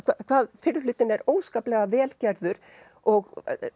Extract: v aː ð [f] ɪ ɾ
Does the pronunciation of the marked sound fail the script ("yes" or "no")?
no